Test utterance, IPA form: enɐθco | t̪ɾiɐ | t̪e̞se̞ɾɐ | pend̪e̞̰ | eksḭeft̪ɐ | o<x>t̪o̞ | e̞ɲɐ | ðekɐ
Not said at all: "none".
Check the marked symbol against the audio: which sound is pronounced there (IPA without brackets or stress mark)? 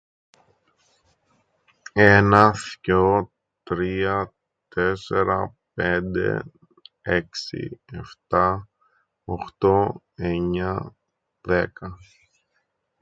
x